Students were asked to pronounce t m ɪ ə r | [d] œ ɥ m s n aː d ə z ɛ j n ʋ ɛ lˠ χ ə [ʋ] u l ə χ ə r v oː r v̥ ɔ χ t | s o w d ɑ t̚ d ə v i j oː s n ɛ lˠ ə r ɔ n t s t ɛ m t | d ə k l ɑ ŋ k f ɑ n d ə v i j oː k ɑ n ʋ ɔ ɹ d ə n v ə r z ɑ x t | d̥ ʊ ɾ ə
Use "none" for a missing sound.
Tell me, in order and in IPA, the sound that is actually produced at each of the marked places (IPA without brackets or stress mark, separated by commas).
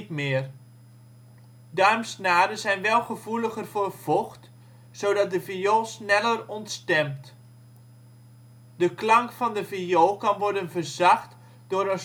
d, v